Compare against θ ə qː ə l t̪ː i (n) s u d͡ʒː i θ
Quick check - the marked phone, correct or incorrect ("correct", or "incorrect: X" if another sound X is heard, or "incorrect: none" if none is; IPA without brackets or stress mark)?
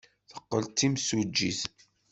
incorrect: m